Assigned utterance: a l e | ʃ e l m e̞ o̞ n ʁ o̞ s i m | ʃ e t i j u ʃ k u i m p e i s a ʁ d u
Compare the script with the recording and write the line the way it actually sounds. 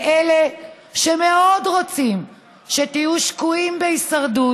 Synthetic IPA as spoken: e l e | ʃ e m e̞ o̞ d ʁ o̞ t͡s i m | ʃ e t i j u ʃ k u i m b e i s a ʁ d u